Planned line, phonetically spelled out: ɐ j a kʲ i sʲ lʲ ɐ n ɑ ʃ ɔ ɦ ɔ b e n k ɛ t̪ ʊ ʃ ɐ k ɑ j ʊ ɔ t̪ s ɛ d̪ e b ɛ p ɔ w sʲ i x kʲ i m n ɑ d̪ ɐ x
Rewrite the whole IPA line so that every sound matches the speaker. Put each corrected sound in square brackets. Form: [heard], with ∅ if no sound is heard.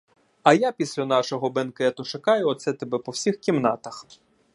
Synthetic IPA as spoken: ɐ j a [pʲ] i sʲ lʲ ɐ n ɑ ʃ ɔ ɦ ɔ b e n k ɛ t̪ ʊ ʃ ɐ k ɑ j ʊ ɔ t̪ s ɛ [t̪] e b ɛ p ɔ w sʲ i x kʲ i m n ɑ [t̪] ɐ x